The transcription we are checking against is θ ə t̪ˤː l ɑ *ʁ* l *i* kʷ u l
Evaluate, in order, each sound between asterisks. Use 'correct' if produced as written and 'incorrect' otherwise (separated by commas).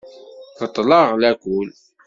correct, incorrect